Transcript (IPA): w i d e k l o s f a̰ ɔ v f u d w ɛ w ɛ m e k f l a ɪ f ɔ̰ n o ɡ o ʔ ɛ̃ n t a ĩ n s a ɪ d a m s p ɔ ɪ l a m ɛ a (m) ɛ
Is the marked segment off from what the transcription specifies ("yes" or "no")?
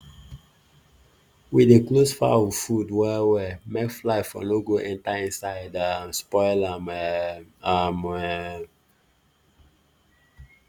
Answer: no